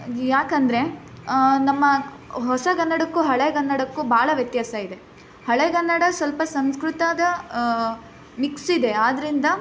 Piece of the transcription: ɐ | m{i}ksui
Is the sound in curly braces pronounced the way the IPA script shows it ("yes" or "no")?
yes